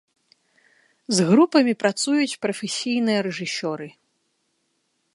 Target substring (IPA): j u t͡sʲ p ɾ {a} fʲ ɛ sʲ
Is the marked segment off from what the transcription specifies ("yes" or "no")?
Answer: yes